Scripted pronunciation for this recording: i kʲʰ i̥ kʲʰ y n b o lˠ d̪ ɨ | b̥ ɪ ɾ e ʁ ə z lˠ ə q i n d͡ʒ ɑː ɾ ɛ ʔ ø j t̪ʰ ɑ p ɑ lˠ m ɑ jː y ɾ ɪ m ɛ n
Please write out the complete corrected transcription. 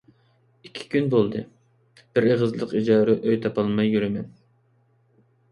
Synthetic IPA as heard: i kʲʰ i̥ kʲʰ y n b o lˠ d̪ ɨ | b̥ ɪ ɾ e ʁ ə z lˠ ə q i d͡ʒ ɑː ɾ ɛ ʔ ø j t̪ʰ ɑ p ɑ lˠ m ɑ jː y ɾ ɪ m ɛ n